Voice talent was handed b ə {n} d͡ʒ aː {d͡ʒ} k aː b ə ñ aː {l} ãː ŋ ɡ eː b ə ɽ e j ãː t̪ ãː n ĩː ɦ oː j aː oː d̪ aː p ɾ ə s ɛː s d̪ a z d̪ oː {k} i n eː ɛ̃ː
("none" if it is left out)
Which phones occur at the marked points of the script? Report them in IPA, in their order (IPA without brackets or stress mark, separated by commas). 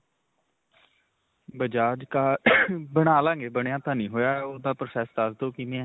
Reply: none, d͡ʒ, l, k